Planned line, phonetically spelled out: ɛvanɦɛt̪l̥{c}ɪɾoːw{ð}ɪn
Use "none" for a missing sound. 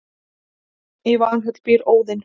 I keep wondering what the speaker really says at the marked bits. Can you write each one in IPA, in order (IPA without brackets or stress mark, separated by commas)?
p, ð